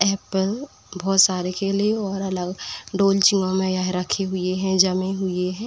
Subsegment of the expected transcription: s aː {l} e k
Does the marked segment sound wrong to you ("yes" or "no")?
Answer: yes